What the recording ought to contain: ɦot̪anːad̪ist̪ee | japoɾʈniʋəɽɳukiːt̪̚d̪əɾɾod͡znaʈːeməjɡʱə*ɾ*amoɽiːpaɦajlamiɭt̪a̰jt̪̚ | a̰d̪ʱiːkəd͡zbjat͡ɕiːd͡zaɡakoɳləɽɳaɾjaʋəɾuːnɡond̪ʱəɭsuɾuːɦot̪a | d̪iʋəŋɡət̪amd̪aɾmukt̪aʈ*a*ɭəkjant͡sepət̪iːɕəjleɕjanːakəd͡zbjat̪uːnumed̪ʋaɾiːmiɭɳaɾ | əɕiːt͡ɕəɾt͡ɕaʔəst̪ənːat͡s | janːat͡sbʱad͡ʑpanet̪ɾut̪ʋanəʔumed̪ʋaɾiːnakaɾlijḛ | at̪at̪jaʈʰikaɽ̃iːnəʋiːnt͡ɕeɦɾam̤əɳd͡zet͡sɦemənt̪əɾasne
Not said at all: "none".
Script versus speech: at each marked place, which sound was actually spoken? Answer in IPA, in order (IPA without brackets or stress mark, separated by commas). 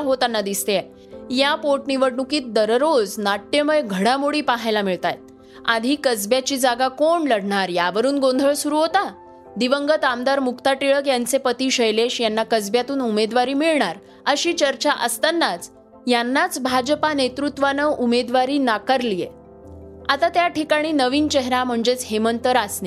ɽ, i